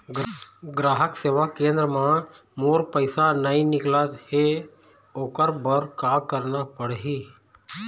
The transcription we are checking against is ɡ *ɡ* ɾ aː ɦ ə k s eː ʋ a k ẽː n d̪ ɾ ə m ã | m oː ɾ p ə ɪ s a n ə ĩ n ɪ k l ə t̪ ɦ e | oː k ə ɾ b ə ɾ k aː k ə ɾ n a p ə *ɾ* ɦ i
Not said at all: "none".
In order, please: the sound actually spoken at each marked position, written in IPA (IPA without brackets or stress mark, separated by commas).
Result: ɡ, ɽ